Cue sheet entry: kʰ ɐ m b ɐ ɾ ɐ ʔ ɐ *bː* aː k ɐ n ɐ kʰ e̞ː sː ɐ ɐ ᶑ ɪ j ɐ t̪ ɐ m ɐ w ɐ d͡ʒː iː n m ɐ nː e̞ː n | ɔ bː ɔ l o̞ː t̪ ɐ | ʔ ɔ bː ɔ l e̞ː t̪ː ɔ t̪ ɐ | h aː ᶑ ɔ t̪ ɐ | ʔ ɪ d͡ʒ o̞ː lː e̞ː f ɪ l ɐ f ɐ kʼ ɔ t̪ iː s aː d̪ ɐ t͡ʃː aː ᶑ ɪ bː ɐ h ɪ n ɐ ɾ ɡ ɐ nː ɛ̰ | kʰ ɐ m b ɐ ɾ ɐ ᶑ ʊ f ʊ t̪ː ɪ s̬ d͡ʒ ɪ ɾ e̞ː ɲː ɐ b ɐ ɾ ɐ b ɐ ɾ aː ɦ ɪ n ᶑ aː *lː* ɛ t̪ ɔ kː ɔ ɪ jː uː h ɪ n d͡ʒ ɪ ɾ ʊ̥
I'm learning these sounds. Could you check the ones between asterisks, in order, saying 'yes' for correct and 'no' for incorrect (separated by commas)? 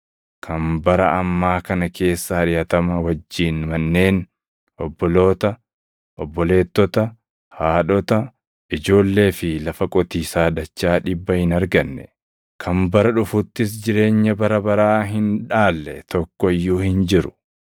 no, yes